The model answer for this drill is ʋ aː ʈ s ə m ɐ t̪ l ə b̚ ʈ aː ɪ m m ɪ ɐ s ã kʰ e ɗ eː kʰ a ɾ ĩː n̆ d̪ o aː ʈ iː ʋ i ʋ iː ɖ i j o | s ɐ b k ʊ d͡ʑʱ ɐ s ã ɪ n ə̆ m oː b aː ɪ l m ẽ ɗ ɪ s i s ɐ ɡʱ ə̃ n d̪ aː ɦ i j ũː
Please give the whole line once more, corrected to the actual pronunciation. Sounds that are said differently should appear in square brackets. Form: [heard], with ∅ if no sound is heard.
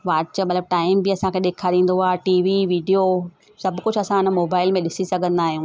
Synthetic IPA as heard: ʋ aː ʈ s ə m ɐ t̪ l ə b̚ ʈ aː ɪ m [b] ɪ ɐ s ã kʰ e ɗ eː kʰ a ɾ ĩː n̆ d̪ o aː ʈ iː ʋ i ʋ iː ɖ i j o | s ɐ b k ʊ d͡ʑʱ ɐ s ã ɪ n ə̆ m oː b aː ɪ l m ẽ ɗ ɪ s i s ɐ ɡʱ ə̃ n d̪ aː ɦ i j ũː